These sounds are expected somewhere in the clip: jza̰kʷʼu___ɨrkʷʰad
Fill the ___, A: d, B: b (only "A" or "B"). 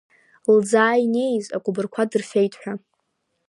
B